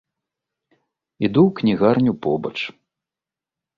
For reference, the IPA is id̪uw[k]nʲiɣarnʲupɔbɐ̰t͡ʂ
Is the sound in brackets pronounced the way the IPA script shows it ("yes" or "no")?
yes